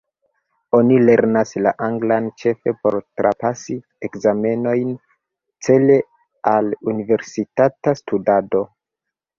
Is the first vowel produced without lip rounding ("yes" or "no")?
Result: no